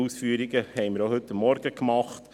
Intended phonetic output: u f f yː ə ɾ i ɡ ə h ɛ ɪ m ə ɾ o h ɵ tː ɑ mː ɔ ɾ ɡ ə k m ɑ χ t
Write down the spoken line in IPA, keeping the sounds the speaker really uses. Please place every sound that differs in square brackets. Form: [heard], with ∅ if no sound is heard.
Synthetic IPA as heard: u [s] f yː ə ɾ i ɡ ə h ɛ ɪ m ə ɾ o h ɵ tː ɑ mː ɔ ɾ ɡ ə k m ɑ χ t